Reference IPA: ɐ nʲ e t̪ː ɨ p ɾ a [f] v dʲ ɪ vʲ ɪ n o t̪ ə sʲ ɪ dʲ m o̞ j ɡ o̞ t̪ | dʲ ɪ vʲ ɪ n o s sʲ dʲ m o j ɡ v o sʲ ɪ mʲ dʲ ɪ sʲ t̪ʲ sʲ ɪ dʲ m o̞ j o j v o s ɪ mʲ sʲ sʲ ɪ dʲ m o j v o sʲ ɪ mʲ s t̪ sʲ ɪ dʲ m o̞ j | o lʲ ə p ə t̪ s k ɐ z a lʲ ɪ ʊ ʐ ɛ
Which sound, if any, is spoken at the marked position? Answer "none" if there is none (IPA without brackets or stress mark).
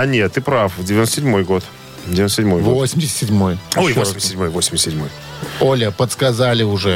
f